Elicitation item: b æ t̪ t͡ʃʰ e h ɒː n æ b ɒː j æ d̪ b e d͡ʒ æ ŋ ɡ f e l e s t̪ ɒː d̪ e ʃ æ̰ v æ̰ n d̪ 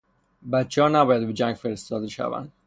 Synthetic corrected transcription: b æ t̪ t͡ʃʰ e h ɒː n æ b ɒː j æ d̪ b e d͡ʒ æ ŋ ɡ f e ɾ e s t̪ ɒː d̪ e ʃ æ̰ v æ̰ n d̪